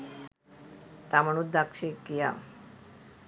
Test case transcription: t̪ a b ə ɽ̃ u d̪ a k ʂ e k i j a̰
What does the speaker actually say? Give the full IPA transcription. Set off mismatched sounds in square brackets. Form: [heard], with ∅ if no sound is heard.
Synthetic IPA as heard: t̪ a [m] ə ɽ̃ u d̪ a k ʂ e k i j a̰